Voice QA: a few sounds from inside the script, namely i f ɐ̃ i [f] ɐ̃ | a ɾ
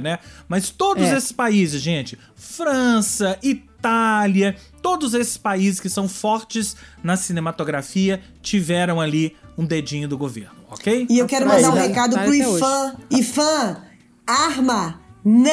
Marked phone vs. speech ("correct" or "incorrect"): correct